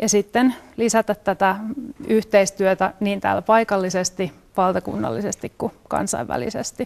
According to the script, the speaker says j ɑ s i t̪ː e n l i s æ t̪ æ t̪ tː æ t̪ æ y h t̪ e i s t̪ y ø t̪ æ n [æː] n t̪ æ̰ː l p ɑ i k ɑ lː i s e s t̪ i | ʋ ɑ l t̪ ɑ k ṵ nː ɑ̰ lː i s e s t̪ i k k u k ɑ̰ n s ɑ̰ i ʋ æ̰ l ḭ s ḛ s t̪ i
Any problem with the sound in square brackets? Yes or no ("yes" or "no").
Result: yes